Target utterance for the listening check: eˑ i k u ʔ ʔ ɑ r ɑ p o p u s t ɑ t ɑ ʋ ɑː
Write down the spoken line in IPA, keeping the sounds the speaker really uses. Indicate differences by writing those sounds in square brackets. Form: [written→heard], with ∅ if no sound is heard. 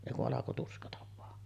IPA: eˑ i k u ʔ ʔ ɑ [r→l] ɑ [p→k] o [p→t] u s [t→k] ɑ t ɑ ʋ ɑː